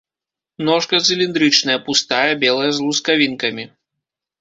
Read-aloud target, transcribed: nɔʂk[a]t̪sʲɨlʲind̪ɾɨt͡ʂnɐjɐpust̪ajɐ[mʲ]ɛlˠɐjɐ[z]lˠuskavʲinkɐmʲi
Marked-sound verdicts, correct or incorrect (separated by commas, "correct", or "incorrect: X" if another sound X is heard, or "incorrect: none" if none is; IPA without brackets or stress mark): incorrect: ɐ, incorrect: bʲ, correct